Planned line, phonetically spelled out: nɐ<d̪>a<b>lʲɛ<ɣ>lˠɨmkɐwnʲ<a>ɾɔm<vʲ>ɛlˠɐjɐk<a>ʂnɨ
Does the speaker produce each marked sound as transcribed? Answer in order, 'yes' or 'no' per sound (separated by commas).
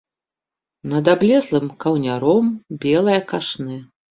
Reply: yes, yes, no, yes, no, yes